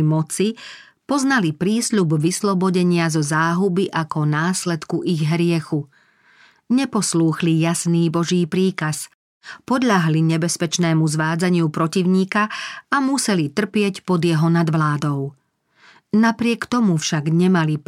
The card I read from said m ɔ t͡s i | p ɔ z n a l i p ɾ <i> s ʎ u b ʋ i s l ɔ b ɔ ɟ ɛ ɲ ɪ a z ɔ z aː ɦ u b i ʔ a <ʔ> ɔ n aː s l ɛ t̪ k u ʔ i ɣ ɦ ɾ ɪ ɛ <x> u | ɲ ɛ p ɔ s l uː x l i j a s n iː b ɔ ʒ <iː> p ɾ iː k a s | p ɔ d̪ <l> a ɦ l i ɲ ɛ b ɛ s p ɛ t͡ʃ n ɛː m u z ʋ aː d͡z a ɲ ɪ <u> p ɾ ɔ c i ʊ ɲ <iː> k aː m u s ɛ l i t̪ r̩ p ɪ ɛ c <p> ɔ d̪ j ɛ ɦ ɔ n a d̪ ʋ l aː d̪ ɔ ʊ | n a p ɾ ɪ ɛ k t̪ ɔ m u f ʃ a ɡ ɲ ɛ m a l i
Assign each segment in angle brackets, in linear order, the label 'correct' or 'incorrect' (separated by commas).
incorrect, incorrect, correct, correct, incorrect, correct, correct, correct